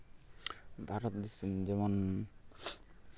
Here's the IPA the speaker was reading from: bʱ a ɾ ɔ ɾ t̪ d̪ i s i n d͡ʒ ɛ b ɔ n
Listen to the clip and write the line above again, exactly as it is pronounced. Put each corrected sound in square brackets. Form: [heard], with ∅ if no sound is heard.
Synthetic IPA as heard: bʱ a ɾ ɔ [∅] t̪ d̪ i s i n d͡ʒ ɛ [m] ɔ n